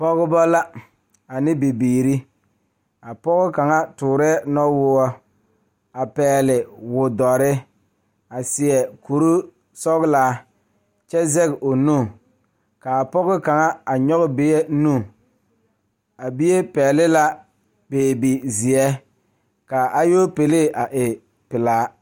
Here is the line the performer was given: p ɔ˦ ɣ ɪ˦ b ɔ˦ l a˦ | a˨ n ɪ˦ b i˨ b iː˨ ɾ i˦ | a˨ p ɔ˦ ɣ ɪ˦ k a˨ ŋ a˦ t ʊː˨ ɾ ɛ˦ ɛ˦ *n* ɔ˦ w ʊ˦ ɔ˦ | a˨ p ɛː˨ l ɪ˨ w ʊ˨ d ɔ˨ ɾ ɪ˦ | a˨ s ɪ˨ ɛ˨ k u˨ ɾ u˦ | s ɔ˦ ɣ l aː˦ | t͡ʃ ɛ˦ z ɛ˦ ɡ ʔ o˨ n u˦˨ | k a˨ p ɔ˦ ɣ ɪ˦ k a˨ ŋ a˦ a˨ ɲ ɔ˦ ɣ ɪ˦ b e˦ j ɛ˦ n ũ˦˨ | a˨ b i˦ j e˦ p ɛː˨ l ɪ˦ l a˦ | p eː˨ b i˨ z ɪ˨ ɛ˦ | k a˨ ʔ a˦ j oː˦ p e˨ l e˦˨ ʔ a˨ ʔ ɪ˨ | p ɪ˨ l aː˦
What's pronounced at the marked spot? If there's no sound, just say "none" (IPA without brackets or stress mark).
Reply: n